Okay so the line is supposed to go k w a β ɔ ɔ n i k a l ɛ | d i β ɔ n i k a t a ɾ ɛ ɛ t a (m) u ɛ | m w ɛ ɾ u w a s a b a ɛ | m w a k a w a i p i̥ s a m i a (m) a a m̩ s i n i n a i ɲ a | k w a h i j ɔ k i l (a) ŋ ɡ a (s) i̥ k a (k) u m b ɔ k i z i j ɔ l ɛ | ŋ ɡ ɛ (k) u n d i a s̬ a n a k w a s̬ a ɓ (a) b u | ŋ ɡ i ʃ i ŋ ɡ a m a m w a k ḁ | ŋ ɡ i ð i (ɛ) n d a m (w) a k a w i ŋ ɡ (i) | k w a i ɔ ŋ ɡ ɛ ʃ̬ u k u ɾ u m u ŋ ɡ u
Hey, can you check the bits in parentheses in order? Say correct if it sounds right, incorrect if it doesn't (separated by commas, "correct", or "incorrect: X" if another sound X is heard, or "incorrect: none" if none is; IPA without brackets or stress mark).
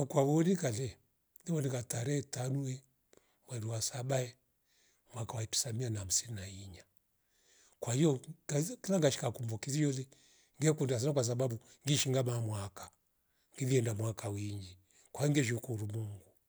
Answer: incorrect: n, incorrect: n, correct, incorrect: ʃ, correct, correct, correct, correct, correct, correct